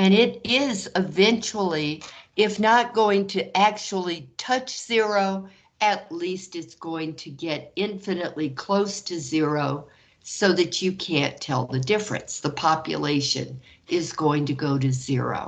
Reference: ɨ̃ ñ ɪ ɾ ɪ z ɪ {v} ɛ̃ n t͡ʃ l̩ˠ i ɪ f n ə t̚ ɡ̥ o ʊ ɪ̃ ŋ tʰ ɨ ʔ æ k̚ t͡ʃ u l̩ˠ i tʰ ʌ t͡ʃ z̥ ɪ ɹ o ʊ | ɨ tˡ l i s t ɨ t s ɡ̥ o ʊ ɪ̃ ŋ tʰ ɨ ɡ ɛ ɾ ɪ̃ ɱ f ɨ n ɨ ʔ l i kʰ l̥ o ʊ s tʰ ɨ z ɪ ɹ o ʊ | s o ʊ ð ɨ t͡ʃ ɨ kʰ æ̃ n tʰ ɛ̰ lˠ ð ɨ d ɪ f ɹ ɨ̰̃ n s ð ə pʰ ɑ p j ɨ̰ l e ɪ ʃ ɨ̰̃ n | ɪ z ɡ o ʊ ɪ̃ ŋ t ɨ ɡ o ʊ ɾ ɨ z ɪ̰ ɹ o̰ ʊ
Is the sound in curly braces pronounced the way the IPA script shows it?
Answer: yes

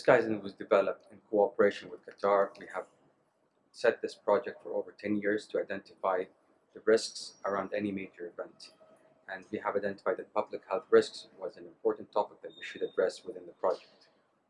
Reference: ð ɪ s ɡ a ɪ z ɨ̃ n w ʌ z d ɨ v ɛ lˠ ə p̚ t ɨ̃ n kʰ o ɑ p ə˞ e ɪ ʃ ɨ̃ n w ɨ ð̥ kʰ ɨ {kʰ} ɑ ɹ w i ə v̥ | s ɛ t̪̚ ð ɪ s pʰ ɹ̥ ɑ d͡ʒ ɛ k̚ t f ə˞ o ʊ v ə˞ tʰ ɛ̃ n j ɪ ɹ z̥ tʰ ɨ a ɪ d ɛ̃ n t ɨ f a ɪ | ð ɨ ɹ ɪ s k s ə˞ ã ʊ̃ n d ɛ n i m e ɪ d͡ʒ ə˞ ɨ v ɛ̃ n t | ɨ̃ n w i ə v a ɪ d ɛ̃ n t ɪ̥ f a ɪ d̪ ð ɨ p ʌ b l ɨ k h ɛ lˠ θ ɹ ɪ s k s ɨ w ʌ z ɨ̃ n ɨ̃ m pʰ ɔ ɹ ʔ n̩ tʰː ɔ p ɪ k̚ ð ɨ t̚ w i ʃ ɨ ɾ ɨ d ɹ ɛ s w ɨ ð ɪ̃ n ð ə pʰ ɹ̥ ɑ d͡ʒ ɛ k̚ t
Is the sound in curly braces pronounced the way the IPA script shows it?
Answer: no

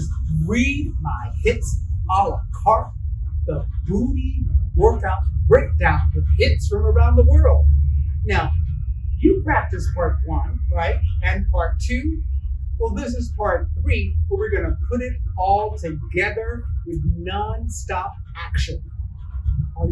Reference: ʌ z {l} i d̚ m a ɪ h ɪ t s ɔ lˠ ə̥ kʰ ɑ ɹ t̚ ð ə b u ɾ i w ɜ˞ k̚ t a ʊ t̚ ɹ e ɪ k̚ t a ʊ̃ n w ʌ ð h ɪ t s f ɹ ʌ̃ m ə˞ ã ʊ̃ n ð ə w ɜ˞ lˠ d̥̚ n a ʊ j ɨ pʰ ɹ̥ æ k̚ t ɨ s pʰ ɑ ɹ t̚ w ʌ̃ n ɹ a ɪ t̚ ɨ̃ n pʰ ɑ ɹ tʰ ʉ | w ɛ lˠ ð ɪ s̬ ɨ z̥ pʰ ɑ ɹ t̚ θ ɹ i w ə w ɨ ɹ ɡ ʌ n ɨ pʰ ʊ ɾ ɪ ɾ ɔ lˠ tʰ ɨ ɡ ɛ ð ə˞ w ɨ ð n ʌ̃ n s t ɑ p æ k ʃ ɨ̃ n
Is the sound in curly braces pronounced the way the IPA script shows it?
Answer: no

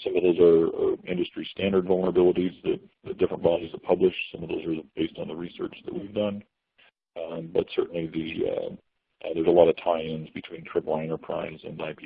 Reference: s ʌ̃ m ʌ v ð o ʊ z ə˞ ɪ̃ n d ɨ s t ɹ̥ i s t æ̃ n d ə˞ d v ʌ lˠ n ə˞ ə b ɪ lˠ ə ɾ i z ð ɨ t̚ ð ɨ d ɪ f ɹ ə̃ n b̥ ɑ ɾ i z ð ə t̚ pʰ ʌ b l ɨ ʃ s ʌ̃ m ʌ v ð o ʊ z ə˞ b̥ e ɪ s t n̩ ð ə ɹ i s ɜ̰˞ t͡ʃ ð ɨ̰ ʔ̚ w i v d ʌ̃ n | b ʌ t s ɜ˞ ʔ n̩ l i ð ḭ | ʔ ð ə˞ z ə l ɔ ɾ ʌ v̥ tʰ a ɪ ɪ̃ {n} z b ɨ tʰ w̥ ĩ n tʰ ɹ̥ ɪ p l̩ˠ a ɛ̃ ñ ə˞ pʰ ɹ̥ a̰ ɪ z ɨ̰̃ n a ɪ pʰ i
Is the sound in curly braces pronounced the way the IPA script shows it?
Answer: yes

